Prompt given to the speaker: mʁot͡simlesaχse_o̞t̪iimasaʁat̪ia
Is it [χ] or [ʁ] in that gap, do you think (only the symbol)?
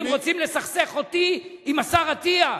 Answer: χ